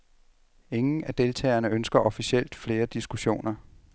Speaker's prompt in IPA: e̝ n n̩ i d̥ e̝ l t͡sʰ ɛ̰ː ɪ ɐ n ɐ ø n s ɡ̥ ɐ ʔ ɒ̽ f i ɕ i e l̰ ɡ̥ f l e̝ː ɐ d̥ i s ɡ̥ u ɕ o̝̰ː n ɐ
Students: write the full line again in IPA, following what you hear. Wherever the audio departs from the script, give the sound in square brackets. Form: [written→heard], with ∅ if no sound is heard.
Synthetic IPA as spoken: e̝ [n→ŋ] n̩ [i→æ] d̥ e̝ l t͡sʰ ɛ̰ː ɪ ɐ n [ɐ→ə] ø n s ɡ̥ ɐ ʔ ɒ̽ f i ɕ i e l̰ [ɡ̥→d̥] f l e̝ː ɐ d̥ i s ɡ̥ u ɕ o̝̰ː n ɐ